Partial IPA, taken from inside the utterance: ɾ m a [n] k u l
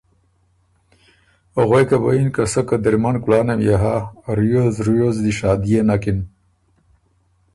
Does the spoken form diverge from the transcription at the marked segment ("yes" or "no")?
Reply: no